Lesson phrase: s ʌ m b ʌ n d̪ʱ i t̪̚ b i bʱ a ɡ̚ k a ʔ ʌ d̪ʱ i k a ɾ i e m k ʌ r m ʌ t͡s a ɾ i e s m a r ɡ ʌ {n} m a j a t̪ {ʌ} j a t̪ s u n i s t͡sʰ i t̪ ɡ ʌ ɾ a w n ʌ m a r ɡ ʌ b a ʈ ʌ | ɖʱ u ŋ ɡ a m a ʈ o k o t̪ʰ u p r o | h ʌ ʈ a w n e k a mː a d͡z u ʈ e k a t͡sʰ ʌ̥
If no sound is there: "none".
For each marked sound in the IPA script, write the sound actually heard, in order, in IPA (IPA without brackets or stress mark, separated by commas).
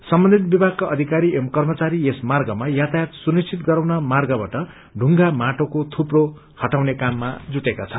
none, a